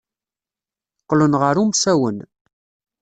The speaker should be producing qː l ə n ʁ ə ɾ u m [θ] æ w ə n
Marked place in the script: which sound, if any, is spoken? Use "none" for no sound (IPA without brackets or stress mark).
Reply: s